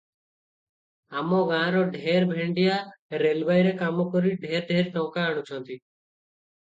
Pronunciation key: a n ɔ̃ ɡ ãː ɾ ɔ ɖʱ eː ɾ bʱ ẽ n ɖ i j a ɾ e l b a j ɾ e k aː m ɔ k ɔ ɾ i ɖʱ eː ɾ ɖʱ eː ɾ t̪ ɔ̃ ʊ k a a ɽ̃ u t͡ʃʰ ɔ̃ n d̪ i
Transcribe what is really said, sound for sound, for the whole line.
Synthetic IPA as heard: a m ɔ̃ ɡ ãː ɾ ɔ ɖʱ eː ɾ bʱ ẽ ɳ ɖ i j a ɾ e l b a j ɾ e k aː m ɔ k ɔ ɾ i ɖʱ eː ɾ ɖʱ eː ɾ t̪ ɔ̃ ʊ k a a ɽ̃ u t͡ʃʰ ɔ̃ n t̪ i